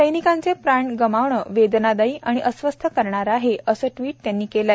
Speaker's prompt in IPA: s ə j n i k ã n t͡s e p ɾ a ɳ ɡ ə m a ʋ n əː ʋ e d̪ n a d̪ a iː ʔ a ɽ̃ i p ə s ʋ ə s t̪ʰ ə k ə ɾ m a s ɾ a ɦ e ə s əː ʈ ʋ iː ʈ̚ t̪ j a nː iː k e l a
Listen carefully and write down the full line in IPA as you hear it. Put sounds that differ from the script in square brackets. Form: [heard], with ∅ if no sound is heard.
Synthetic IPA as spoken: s ə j n i k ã n t͡s e p ɾ a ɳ ɡ ə m a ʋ [ɳ] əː ʋ e d̪ n a d̪ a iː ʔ a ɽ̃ i [ʔ] ə s ʋ ə s t̪ʰ ə k ə ɾ [ɳ] a [∅] ɾ a ɦ e ə s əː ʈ ʋ iː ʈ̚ t̪ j a nː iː k e l a